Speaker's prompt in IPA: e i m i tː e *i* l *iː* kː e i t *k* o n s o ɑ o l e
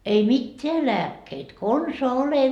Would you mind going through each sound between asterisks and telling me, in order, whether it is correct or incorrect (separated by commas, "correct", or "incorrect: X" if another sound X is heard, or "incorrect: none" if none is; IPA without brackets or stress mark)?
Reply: incorrect: æ, incorrect: æː, correct